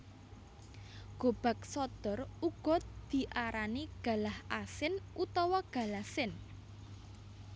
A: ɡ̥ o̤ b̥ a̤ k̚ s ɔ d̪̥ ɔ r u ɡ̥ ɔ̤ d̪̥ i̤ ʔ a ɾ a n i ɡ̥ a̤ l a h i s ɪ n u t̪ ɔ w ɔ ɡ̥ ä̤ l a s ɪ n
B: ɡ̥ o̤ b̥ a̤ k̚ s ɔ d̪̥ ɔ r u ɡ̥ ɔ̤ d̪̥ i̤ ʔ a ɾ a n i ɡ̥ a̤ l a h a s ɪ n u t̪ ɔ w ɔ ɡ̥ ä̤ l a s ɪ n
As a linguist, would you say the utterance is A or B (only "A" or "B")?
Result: B